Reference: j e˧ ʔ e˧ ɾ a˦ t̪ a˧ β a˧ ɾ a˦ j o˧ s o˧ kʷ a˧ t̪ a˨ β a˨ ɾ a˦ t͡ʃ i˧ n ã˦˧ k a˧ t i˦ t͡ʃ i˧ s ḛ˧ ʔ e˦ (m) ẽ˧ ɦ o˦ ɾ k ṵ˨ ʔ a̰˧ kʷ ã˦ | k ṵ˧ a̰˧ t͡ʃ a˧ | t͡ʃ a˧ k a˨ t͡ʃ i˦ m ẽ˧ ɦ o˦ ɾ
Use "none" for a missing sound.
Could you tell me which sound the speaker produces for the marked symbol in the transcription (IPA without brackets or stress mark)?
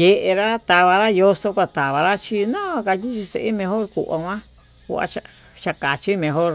m